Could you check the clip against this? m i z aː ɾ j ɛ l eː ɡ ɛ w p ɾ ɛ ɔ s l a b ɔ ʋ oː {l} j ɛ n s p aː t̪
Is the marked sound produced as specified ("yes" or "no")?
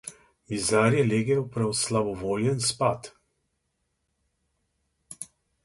yes